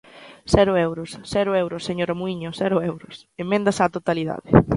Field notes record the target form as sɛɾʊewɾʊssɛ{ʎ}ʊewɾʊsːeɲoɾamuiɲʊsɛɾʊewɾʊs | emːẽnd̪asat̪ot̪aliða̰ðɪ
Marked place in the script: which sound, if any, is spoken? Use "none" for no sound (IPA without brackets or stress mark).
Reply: ɾ